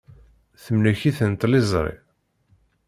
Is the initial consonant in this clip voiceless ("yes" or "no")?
yes